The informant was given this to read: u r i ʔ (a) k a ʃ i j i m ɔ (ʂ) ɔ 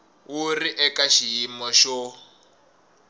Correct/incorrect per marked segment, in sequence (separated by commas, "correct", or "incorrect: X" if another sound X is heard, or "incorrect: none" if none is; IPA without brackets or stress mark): incorrect: ɛ, incorrect: ʃ